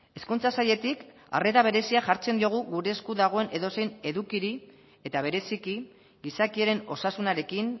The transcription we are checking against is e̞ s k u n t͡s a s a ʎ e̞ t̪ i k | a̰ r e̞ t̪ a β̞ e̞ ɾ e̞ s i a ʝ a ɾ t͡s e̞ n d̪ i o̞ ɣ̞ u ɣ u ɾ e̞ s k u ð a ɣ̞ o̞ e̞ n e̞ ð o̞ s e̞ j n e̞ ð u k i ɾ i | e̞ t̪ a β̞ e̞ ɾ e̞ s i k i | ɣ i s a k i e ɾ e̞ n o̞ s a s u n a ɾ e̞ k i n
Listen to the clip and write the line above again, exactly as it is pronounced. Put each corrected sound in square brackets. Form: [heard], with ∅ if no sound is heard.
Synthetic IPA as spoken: e̞ s k u n t͡s a s a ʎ e̞ t̪ i k | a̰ r e̞ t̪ a β̞ e̞ ɾ e̞ s i a ʝ a ɾ t͡s e̞ n d̪ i o̞ ɣ̞ u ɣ u ɾ e̞ s k u ð a ɣ̞ o̞ e̞ n e̞ ð o̞ s e̞ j n e̞ ð u k i ɾ i | e̞ t̪ a β̞ e̞ ɾ e̞ s i k i | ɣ i s a k i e ɾ e̞ n o̞ s a s u n a ɾ e̞ k i n